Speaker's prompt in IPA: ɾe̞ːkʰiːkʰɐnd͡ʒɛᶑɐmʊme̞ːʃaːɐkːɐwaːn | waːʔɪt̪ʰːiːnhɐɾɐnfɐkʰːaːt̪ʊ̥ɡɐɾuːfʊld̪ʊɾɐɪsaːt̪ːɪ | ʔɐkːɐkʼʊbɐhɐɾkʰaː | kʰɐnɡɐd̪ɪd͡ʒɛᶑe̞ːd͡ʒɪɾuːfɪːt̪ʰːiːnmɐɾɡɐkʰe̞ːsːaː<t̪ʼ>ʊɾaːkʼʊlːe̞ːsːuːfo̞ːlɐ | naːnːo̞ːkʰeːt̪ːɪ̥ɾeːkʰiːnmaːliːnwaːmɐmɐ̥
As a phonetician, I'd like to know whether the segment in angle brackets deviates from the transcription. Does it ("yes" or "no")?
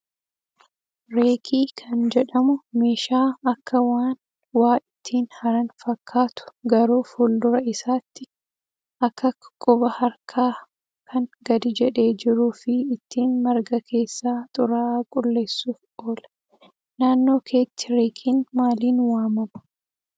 no